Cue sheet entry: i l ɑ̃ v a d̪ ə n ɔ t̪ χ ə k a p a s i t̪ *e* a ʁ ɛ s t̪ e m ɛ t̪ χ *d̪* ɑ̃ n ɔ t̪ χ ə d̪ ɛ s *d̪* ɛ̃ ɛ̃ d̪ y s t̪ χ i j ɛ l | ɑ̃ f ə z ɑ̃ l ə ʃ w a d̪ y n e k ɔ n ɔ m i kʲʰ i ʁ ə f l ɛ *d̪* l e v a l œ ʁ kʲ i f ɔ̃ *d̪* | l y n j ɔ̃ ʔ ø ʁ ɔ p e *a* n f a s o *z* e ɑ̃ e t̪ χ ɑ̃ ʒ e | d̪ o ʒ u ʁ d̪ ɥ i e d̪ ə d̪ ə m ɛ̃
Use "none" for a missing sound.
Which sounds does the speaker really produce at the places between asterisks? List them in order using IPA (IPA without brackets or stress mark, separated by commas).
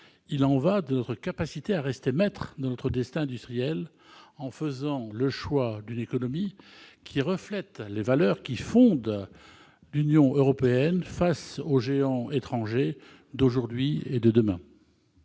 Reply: e, d̪, t̪, t̪, d̪, ɛ, ʒ